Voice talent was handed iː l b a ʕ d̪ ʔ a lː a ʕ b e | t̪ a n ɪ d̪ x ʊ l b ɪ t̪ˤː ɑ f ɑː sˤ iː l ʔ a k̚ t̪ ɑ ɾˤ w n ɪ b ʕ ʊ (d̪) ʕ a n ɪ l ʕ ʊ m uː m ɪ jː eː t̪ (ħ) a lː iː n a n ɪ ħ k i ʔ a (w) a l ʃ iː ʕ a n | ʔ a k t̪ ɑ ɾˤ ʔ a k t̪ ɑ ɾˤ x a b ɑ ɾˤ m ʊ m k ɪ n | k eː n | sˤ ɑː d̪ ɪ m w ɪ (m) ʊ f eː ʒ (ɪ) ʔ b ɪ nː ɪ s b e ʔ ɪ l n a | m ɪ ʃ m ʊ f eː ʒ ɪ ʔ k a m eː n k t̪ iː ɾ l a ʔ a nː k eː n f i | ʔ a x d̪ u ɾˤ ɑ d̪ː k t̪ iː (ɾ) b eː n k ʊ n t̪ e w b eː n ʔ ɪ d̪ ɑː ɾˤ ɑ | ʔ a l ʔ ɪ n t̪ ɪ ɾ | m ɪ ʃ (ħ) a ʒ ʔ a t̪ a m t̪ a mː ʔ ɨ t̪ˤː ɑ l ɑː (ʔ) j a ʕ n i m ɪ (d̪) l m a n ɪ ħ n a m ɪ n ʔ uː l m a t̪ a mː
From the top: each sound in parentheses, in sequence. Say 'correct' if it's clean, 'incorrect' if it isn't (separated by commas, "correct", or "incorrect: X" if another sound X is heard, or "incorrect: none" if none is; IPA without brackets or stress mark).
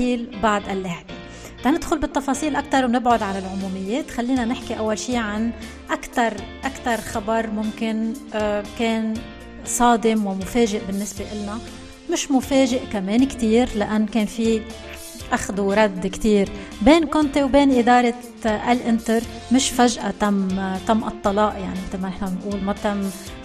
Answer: correct, incorrect: x, incorrect: wː, correct, correct, correct, incorrect: f, correct, incorrect: t̪